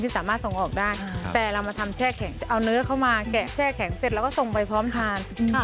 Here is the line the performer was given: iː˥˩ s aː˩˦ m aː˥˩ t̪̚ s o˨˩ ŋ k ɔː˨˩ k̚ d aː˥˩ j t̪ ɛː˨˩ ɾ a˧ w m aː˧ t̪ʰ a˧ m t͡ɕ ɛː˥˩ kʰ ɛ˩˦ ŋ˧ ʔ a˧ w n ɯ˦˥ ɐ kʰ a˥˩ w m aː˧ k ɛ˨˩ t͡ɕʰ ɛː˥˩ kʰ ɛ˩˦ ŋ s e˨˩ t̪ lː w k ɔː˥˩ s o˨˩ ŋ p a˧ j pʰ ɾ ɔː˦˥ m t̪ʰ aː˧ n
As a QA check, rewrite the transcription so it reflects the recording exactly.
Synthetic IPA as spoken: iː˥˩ s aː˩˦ m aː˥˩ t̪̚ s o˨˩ ŋ ʔ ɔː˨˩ k̚ d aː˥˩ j t̪ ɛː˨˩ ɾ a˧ w m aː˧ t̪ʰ a˧ m t͡ɕʰ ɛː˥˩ kʰ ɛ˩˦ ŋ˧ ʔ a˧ w n ɯ˦˥ ɐ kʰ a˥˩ w m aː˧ k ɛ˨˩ t͡ɕʰ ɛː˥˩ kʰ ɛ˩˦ ŋ s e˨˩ t̪ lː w k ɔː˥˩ s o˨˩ ŋ p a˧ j pʰ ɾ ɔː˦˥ m t̪ʰ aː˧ n